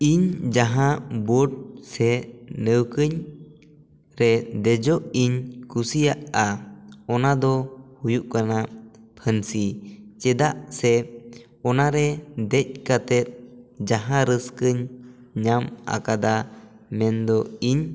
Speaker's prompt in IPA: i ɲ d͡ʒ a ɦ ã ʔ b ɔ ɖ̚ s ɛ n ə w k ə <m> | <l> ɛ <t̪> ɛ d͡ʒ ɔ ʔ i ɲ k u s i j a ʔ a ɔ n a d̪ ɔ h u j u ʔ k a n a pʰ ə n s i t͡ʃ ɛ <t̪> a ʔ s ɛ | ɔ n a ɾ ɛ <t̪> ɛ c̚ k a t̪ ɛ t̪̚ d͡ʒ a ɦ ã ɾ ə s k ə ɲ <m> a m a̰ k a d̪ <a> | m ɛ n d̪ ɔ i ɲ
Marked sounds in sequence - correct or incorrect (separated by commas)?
incorrect, incorrect, incorrect, incorrect, incorrect, incorrect, correct